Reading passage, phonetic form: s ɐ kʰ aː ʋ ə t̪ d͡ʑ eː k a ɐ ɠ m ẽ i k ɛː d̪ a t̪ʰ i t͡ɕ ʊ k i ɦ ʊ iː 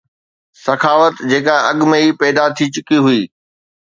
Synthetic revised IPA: s ɐ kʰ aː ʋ ə t̪ d͡ʑ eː k a ɐ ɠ m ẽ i p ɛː d̪ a t̪ʰ i t͡ɕ ʊ k i ɦ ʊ iː